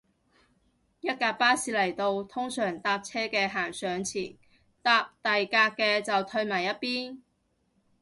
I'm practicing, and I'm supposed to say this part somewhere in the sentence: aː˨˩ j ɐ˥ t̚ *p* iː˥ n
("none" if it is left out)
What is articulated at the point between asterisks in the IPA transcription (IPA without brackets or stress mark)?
p